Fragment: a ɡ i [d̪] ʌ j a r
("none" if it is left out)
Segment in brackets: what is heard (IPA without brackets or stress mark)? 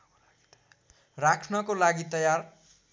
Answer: t̪